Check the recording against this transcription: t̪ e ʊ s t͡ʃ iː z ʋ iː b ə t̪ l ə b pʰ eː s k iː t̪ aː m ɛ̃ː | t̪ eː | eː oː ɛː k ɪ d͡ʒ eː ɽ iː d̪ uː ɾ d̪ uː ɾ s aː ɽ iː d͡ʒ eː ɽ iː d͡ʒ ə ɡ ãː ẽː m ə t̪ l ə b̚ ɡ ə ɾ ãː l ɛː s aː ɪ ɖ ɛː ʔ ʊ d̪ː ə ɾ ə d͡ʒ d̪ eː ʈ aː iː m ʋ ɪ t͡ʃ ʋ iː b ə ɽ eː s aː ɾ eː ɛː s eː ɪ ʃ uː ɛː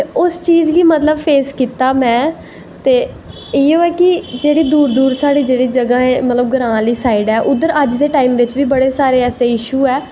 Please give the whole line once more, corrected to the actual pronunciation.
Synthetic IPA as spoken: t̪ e ʊ s t͡ʃ iː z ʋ iː m ə t̪ l ə b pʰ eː s k iː t̪ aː m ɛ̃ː | t̪ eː | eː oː ɛː k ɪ d͡ʒ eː ɽ iː d̪ uː ɾ d̪ uː ɾ s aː ɽ iː d͡ʒ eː ɽ iː d͡ʒ ə ɡ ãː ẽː m ə t̪ l ə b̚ ɡ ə ɾ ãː l iː s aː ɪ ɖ ɛː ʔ ʊ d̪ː ə ɾ ə d͡ʒ d̪ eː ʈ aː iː m ʋ ɪ t͡ʃ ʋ iː b ə ɽ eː s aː ɾ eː ɛː s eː ɪ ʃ uː ɛː

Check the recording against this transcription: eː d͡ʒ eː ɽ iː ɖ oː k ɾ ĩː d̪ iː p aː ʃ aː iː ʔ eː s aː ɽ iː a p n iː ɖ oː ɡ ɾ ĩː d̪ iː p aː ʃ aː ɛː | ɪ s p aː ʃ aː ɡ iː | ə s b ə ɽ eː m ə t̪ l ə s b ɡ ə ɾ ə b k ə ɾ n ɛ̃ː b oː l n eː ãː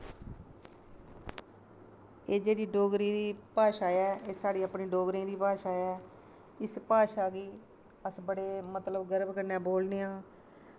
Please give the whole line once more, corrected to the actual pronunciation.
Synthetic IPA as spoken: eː d͡ʒ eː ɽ iː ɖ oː ɡ ɾ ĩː d̪ iː p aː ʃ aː ɛː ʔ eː s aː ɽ iː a p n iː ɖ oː ɡ ɾ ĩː d̪ iː p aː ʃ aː ɛː | ɪ s p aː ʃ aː ɡ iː | ə s b ə ɽ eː m ə t̪ l ə b ɡ ə ɾ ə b k ə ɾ n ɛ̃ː b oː l n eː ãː

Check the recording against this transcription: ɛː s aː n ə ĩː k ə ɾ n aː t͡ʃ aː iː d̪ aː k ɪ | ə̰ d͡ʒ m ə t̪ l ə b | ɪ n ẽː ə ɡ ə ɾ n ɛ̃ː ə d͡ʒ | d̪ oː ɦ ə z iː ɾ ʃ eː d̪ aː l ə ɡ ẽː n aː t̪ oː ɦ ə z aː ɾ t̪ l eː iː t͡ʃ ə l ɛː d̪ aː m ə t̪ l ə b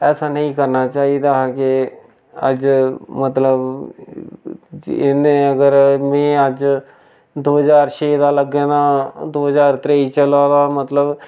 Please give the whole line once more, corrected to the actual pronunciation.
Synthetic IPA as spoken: ɛː s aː n ə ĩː k ə ɾ n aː t͡ʃ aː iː d̪ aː k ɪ | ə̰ d͡ʒ m ə t̪ l ə b | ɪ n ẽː ə ɡ ə ɾ m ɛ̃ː ə d͡ʒ | d̪ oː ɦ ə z aː ɾ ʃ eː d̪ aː l ə ɡ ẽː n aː d̪ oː ɦ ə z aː ɾ t̪ ɾ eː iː t͡ʃ ə l aː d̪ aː m ə t̪ l ə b

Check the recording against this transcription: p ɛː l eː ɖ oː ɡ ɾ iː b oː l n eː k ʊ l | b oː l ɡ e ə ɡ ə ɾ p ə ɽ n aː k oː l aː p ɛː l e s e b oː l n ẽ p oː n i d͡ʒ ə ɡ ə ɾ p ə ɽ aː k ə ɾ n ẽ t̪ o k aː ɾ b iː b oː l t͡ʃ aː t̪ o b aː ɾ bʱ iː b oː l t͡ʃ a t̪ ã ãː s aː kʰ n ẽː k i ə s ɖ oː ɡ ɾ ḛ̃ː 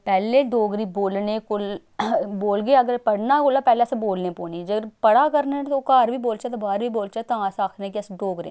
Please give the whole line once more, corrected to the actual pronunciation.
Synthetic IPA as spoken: p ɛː l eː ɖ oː ɡ ɾ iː b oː l n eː k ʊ l | b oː l ɡ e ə ɡ ə ɾ p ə ɽ n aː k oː l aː p ɛː l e s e b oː l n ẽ p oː n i d͡ʒ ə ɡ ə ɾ p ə ɽ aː k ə ɾ n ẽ t̪ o k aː ɾ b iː b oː l t͡ʃ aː t̪ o b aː ɾ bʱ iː b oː l t͡ʃ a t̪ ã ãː s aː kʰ n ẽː k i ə s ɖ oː ɡ ɾ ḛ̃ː

